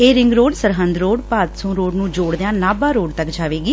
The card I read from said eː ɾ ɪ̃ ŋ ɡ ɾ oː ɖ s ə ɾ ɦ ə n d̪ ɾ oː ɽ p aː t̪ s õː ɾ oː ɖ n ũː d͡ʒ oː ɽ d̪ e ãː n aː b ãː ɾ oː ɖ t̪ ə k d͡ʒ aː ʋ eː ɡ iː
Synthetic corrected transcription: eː ɾ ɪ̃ ŋ ɡ ɾ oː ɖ s ə ɾ ɦ ə n d̪ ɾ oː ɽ p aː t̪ s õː ɾ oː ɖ n ũː d͡ʒ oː ɽ d̪ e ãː n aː b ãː ɾ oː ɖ t̪ ə k d͡ʒ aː ʋ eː ɡ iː